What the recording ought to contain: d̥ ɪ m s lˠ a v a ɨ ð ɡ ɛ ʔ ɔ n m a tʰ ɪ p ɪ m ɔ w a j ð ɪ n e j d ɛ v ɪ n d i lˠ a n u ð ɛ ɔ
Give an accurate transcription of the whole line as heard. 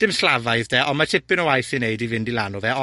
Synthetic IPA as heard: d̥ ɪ m s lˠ a v a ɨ ð d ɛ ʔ ɔ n m a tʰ ɪ p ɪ n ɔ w a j θ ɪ n e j d i v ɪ n d i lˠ a n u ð ɛ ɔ